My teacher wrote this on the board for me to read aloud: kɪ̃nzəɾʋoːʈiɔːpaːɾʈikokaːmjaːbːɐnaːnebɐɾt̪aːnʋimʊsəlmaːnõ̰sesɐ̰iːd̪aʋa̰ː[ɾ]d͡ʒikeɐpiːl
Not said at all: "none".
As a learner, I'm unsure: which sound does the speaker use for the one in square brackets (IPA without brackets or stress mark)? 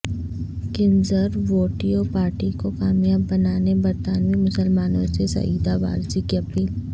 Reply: ɾ